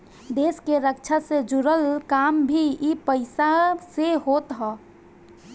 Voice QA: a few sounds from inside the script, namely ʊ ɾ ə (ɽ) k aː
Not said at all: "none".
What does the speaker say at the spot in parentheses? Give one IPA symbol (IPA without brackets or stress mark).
l